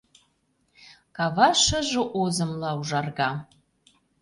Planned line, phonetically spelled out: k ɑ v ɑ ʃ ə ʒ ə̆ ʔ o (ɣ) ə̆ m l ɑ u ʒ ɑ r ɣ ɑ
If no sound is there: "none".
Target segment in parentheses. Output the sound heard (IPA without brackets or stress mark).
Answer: z